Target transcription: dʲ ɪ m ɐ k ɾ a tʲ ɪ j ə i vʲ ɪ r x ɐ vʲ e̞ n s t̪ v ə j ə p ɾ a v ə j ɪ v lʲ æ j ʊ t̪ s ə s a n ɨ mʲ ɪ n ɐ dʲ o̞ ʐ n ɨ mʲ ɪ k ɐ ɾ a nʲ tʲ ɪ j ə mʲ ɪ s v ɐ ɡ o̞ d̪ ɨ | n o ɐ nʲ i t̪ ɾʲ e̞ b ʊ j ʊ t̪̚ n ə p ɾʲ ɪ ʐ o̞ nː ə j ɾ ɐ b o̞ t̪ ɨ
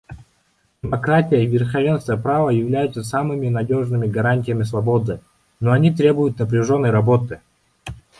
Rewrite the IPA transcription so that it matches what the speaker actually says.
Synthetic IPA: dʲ ɪ m ɐ k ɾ a tʲ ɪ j ə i vʲ ɪ r x ɐ vʲ e̞ n s t̪ v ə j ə p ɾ a v ə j ɪ v lʲ æ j ʊ t̪ s ə s a m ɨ mʲ ɪ n ɐ dʲ o̞ ʐ n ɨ mʲ ɪ ɡ ɐ ɾ a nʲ tʲ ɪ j ə mʲ ɪ s v ɐ b o̞ d̪ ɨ | n o ɐ nʲ i t̪ ɾʲ e̞ b ʊ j ʊ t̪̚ n ə p ɾʲ ɪ ʐ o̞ nː ə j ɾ ɐ b o̞ t̪ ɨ